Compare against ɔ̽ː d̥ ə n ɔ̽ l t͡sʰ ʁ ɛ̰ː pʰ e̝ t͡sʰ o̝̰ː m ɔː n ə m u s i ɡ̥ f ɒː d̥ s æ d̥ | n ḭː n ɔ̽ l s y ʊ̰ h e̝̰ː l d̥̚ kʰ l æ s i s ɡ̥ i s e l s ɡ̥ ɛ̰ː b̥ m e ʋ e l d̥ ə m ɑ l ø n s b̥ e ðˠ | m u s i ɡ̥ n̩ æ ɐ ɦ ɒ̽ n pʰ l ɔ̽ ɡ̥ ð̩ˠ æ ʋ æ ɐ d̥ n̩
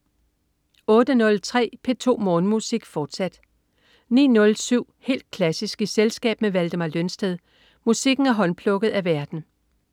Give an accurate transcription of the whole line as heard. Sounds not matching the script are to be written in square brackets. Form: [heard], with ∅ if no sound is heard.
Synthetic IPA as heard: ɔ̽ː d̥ ə n ɔ̽ l t͡sʰ ʁ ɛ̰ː pʰ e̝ t͡sʰ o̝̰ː m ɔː n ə m u s i ɡ̥ f ɒː d̥ s æ d̥ | n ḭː n ɔ̽ l s y ʊ̰ h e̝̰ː l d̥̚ kʰ l æ s i s ɡ̥ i s e l s ɡ̥ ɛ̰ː b̥ m e ʋ [æ] l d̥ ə m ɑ l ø n s [d̥] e ðˠ | m u s i ɡ̥ n̩ æ ɐ ɦ ɒ̽ n pʰ l ɔ̽ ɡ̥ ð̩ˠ æ ʋ æ ɐ d̥ n̩